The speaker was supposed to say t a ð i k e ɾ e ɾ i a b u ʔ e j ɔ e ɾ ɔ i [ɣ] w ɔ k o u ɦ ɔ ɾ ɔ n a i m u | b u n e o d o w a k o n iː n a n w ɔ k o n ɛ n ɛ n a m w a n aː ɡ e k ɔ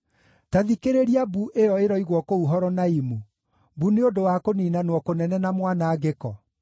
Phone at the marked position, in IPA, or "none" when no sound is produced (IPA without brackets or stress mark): ɣ